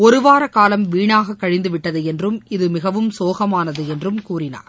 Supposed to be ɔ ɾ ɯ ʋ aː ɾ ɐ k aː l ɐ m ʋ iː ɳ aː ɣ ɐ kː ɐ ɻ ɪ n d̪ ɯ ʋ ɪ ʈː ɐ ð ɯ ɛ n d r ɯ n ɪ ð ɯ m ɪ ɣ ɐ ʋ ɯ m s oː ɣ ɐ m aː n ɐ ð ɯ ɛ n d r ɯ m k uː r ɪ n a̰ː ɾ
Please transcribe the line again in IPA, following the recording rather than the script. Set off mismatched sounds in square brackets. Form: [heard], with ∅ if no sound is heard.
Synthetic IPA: ɔ ɾ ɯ ʋ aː ɾ ɐ k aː l ɐ m ʋ iː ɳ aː ɣ ɐ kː ɐ ɻ ɪ n d̪ ɯ ʋ ɪ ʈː ɐ ð ɯ ɛ n d r ɯ [m] ɪ ð ɯ m ɪ ɣ ɐ ʋ ɯ m s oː ɣ ɐ m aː n ɐ ð ɯ ɛ n d r ɯ m k uː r ɪ n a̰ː ɾ